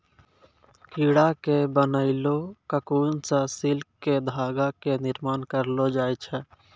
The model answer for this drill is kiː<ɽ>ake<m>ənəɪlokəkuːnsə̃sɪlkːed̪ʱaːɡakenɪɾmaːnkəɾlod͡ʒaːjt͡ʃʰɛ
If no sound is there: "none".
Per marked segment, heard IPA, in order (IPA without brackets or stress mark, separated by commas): ɽ, b